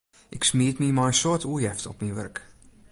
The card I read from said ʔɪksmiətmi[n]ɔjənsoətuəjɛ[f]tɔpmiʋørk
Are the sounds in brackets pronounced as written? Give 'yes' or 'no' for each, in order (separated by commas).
no, yes